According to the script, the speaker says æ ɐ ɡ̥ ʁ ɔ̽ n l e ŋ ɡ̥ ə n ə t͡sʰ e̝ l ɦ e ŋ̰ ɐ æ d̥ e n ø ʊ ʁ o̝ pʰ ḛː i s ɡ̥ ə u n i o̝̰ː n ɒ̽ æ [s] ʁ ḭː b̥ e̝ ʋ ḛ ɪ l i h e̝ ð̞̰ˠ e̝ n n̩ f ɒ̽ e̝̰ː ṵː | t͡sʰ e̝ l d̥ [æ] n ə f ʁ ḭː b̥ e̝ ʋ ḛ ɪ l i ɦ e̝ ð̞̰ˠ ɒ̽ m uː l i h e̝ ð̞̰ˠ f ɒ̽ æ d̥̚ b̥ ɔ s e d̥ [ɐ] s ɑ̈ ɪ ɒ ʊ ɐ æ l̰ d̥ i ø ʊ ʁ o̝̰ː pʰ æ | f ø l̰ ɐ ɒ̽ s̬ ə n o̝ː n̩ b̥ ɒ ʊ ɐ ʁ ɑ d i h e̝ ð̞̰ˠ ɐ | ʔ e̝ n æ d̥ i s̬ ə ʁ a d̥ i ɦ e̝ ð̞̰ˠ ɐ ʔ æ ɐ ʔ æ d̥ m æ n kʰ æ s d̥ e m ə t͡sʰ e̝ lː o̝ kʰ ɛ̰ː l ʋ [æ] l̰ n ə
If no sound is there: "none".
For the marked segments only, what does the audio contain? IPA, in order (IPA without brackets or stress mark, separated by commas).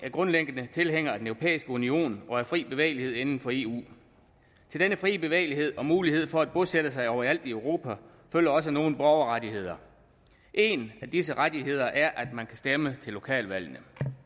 f, e, ə, æ